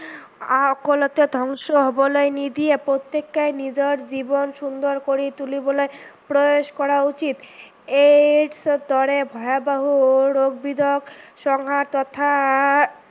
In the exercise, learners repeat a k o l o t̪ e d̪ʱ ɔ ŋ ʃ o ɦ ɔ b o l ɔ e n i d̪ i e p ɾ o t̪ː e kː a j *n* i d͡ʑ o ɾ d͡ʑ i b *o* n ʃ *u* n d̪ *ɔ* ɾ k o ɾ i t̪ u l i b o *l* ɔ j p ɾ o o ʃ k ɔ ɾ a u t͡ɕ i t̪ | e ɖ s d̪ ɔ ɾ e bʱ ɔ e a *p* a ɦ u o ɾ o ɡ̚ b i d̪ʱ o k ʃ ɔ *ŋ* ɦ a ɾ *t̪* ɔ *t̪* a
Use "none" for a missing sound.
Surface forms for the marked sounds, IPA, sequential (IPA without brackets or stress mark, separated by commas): n, o, u, o, l, b, ŋ, t̪, t̪ʰ